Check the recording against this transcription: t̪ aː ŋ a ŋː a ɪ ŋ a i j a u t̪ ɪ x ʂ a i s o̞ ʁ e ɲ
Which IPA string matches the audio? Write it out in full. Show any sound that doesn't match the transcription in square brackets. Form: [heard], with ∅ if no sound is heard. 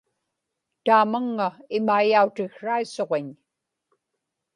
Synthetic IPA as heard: t̪ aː [m] a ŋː a ɪ [m] a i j a u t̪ ɪ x ʂ a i s o̞ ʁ e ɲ